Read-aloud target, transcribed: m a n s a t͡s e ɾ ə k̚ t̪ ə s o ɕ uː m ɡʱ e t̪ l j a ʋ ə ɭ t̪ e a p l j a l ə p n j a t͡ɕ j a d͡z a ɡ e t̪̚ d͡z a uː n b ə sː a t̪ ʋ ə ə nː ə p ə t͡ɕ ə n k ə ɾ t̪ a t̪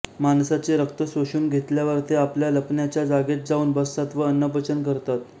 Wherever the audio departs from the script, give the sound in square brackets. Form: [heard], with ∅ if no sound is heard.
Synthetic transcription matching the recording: m a n s a t͡s e ɾ ə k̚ t̪ ə s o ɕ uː m ɡʱ e t̪ l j a ʋ ə [ɾ] t̪ e a p l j a l ə p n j a t͡ɕ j a d͡z a ɡ e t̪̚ d͡z a uː n b ə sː a t̪ ʋ ə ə nː ə p ə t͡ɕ ə n k ə ɾ t̪ a t̪

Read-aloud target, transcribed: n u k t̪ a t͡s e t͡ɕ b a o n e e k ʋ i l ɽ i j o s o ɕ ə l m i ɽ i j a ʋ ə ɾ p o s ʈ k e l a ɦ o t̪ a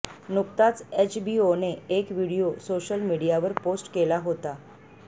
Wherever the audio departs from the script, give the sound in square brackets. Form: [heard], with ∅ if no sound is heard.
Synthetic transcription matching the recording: n u k t̪ a t͡s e t͡ɕ b [i] o n e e k ʋ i [∅] ɽ i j o s o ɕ ə l m i ɽ i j a ʋ ə ɾ p o s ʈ k e l a ɦ o t̪ a

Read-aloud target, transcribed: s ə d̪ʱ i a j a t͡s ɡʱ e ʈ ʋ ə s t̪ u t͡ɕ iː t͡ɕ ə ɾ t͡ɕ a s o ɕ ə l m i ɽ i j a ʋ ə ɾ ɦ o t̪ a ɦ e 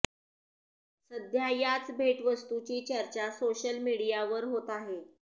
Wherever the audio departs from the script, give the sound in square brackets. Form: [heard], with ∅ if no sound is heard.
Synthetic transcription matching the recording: s ə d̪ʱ [j] a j a t͡s [bʱ] e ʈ ʋ ə s t̪ u t͡ɕ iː t͡ɕ ə ɾ t͡ɕ a s o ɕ ə l m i ɽ i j a ʋ ə ɾ ɦ o t̪ a ɦ e

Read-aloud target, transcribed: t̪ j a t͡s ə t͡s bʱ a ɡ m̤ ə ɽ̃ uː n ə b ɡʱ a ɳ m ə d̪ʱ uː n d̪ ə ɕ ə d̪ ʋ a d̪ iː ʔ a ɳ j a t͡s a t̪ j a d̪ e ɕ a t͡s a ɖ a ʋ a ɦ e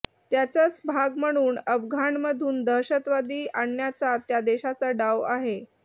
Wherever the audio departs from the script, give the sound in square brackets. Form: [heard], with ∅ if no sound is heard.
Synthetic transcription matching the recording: t̪ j a t͡s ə t͡s bʱ a ɡ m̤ ə ɽ̃ uː n ə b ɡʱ a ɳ m ə d̪ʱ uː n d̪ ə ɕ ə [t̪] ʋ a d̪ iː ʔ a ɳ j a t͡s a t̪ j a d̪ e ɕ a t͡s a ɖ a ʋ a ɦ e

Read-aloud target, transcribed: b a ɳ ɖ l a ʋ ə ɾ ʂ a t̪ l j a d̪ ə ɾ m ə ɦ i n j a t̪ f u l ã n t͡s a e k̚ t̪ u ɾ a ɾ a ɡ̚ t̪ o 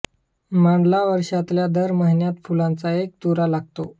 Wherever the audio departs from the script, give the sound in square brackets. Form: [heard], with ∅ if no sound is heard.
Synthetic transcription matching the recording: [m] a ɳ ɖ l a ʋ ə ɾ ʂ a t̪ l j a d̪ ə ɾ m ə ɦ i n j a t̪ f u l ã n t͡s a e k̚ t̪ u ɾ a [l] a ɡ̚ t̪ o

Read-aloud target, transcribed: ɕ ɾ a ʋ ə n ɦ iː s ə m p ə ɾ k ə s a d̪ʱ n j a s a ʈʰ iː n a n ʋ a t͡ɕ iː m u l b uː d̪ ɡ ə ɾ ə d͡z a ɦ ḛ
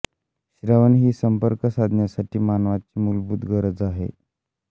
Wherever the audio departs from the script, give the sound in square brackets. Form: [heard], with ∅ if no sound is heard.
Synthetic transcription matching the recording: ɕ ɾ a ʋ ə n ɦ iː s ə m p ə ɾ k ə s a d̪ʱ n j a s a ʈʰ iː [m] a n ʋ a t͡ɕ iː m u l b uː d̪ ɡ ə ɾ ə d͡z a ɦ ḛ

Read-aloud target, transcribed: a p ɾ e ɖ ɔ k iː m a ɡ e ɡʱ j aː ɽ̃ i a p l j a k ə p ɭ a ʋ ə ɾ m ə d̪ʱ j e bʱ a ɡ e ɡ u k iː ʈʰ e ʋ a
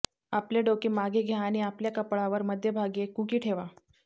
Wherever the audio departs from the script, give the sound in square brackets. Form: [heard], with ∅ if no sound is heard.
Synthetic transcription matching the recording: a p [l] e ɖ [o] k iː m a ɡ e ɡʱ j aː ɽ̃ i a p l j a k ə p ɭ a ʋ ə ɾ m ə d̪ʱ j e bʱ a ɡ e [k] u k iː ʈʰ e ʋ a

